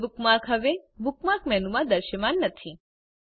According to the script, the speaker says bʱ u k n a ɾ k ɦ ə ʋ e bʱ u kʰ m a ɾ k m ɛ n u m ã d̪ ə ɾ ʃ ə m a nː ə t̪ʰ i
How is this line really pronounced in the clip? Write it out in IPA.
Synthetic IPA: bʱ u k m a ɾ k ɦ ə ʋ e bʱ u k m a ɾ k m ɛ n u m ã d̪ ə ɾ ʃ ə m a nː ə t̪ʰ i